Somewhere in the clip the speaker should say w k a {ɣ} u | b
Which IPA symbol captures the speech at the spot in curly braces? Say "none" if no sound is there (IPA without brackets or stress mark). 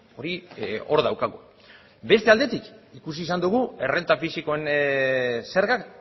ɣ